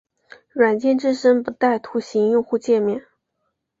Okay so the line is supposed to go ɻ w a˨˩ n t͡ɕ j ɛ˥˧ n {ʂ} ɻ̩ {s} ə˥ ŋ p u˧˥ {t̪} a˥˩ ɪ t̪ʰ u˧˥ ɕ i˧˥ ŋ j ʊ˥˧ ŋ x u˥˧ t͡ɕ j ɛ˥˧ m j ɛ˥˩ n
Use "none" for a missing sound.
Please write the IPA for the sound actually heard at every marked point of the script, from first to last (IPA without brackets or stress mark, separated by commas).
ʈ͡ʂ, ʂ, t̪